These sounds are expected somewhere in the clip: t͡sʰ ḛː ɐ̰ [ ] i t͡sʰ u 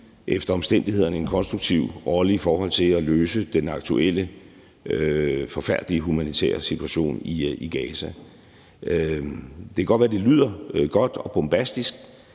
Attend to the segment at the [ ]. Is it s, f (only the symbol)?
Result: s